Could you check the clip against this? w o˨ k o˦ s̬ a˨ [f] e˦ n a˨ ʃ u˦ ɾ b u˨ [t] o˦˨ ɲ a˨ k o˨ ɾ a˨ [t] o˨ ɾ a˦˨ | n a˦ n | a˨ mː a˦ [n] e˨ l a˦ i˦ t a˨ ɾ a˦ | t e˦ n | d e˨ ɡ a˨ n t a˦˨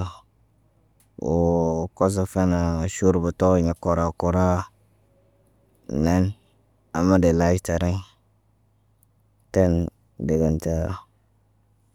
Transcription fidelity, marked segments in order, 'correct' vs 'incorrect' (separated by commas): correct, correct, incorrect, incorrect